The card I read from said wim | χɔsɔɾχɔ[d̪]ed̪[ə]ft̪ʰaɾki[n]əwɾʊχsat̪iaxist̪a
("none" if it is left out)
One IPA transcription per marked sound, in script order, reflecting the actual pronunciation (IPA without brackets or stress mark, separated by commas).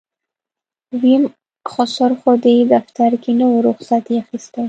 d̪, a, n